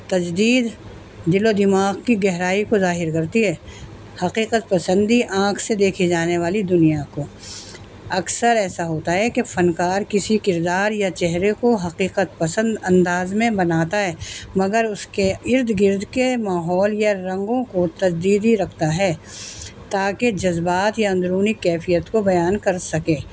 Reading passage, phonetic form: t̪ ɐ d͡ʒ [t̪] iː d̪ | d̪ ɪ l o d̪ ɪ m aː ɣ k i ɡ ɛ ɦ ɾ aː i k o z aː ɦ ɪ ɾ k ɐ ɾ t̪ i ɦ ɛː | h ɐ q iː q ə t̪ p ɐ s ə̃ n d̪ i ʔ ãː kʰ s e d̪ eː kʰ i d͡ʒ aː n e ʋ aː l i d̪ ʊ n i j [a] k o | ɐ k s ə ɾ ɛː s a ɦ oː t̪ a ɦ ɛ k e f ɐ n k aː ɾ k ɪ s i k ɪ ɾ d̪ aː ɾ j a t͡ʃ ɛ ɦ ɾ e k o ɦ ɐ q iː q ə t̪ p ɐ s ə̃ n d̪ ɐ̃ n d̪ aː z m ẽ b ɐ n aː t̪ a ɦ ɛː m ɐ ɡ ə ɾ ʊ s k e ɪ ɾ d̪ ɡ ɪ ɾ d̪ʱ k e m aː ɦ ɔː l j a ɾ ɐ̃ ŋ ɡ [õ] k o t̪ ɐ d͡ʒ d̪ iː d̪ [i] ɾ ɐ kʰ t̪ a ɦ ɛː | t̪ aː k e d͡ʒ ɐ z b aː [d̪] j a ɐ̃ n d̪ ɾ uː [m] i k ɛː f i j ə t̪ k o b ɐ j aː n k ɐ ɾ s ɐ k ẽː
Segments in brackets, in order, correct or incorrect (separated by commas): incorrect, correct, correct, correct, incorrect, incorrect